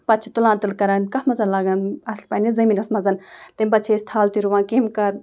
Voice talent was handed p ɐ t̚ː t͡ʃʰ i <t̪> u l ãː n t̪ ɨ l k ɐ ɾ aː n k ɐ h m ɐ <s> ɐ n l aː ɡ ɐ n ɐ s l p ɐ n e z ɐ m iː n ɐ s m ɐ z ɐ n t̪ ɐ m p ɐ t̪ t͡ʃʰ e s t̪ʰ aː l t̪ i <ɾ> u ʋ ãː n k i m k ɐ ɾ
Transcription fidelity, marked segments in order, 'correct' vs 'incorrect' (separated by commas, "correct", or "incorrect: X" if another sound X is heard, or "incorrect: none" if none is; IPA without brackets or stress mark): correct, incorrect: z, correct